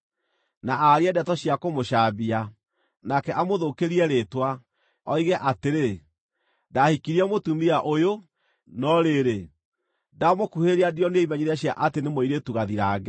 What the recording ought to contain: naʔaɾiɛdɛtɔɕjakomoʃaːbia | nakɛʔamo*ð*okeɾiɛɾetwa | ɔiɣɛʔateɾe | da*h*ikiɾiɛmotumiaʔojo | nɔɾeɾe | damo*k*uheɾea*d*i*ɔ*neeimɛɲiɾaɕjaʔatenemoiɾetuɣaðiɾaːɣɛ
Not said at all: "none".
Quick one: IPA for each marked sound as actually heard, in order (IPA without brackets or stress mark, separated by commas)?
ð, h, k, d, ɔ